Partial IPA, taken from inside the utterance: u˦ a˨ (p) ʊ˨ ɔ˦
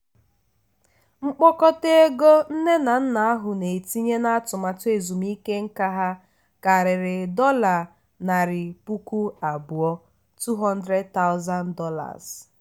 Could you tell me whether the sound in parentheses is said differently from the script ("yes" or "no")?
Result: yes